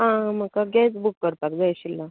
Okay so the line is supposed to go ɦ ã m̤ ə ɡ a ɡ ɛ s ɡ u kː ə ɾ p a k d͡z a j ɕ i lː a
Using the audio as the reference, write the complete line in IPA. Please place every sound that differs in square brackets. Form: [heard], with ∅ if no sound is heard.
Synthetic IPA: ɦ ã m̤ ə [k] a ɡ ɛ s [b] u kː ə ɾ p a k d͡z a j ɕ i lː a